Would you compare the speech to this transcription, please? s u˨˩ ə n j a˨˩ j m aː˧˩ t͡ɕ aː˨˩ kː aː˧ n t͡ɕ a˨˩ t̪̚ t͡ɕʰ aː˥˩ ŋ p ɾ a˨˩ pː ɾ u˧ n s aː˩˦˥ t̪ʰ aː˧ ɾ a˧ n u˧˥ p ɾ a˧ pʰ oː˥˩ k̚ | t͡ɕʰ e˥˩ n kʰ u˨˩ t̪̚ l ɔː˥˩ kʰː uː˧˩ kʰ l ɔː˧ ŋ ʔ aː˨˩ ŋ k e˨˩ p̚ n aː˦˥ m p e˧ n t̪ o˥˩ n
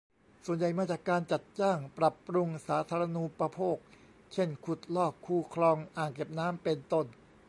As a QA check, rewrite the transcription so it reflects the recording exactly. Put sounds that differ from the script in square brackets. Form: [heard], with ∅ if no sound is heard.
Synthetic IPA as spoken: s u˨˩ ə n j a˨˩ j m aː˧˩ t͡ɕ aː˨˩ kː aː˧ n t͡ɕ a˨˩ t̪̚ [t͡ɕ] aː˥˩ ŋ p ɾ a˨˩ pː ɾ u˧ [ŋ] s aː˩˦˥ t̪ʰ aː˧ ɾ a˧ n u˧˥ p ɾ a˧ pʰ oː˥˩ k̚ | t͡ɕʰ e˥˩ n kʰ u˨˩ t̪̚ l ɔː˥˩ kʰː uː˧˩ kʰ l ɔː˧ ŋ ʔ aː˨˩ ŋ k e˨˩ p̚ n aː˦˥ m p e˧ n t̪ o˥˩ n